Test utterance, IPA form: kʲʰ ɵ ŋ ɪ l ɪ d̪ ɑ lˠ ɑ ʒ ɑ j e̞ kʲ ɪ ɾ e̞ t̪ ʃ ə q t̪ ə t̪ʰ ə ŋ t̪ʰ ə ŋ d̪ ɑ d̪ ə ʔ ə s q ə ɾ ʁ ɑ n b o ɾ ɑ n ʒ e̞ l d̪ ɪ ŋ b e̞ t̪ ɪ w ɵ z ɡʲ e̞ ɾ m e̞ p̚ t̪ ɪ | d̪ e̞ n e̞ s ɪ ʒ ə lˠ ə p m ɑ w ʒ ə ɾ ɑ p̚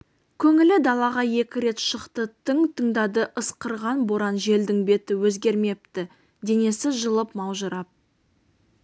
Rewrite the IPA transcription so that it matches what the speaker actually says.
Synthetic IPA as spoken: kʲʰ ɵ ŋ ɪ l ɪ d̪ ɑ lˠ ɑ ʁ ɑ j e̞ kʲ ɪ ɾ e̞ t̪ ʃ ə q t̪ ə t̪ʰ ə ŋ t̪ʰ ə ŋ d̪ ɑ d̪ ə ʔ ə s q ə ɾ ʁ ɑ n b o ɾ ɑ n ʒ e̞ l d̪ ɪ ŋ b e̞ t̪ ɪ w ɵ z ɡʲ e̞ ɾ m e̞ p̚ t̪ ɪ | d̪ e̞ n e̞ s ɪ ʒ ə lˠ ə p m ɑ w ʒ ə ɾ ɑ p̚